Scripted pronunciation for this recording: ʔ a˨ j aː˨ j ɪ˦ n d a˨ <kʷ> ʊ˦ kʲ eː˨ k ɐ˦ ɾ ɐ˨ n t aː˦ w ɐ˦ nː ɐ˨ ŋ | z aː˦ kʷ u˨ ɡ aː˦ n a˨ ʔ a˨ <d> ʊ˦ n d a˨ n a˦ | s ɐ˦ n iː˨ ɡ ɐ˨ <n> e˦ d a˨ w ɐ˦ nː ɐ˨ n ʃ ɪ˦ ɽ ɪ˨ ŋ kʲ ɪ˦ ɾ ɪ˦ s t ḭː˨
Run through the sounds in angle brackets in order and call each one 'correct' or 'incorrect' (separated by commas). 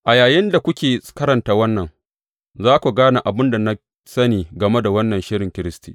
correct, incorrect, incorrect